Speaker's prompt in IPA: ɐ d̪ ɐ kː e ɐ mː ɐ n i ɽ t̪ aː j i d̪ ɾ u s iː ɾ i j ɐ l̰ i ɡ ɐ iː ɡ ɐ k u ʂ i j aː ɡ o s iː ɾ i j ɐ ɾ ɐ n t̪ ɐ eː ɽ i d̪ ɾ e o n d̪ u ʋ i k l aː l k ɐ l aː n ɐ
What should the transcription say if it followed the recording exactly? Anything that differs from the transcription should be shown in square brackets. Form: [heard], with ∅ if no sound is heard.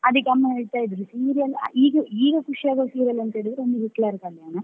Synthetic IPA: ɐ d̪ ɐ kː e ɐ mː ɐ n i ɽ t̪ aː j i d̪ ɾ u s iː ɾ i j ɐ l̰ [iː] ɡ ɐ iː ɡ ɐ k u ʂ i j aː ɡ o s iː ɾ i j ɐ [l] ɐ n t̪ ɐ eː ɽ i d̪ ɾ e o n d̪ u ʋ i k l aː [ɾ] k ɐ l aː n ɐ